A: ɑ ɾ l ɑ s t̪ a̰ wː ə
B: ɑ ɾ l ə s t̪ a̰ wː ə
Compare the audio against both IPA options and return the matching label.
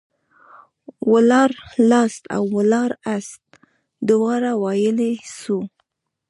A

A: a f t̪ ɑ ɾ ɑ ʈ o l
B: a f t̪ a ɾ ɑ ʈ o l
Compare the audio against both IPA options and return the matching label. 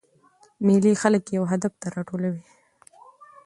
B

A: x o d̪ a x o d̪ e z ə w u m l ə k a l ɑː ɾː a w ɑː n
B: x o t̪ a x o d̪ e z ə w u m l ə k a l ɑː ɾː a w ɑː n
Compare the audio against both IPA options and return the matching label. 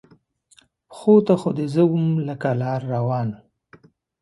B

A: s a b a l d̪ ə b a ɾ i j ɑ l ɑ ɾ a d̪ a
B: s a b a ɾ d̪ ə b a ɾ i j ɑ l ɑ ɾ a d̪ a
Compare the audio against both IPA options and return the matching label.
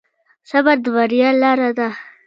B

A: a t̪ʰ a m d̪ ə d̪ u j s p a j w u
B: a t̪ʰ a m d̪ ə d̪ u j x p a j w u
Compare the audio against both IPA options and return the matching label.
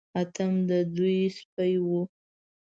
A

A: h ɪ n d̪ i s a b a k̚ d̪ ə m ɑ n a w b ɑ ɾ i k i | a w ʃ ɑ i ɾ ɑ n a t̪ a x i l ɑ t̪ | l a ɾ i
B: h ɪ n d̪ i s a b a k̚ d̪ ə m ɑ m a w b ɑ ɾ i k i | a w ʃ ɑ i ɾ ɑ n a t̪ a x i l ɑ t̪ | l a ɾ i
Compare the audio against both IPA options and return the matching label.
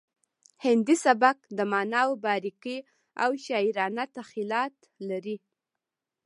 A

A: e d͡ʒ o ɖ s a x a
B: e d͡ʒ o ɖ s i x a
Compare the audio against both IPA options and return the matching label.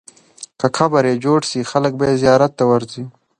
B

